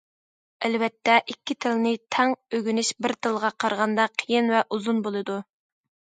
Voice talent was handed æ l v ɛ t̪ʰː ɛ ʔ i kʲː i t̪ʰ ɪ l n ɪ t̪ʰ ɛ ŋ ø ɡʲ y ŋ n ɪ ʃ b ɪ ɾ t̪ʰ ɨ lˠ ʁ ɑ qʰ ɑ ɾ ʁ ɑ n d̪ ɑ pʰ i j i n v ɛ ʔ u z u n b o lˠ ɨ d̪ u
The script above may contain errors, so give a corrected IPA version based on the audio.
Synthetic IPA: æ l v ɛ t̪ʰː ɛ ʔ i kʲː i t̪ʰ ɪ l n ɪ t̪ʰ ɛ ŋ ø ɡʲ y n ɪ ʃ b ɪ ɾ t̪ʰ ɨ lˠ ʁ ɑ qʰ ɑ ɾ ʁ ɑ n d̪ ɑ qʰ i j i n v ɛ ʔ u z u n b o lˠ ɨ d̪ u